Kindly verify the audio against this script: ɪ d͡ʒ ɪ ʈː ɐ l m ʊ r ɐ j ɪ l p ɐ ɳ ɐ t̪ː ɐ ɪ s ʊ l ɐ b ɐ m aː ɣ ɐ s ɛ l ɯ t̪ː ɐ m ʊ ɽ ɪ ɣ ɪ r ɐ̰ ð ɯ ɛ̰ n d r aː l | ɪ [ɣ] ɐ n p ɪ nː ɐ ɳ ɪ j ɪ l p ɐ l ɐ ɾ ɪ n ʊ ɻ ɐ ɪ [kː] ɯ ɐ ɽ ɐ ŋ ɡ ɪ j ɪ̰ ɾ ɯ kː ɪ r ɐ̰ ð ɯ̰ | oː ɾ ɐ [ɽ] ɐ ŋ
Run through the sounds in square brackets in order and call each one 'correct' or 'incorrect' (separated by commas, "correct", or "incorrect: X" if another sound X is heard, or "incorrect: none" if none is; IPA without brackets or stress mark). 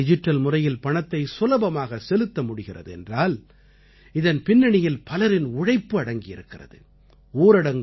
incorrect: ð, incorrect: pː, correct